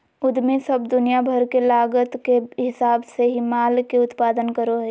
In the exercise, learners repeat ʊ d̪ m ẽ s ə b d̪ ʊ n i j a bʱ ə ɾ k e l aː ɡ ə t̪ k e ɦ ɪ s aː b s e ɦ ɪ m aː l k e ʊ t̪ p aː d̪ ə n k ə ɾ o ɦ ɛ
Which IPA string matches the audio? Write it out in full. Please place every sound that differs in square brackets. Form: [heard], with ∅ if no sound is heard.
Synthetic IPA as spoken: ʊ d̪ m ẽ s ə b d̪ ʊ n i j a bʱ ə ɾ k e l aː ɡ ə t̪ k e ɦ ɪ s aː b s e ɦ [i] m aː l k e ʊ t̪ p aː d̪ ə n k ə ɾ o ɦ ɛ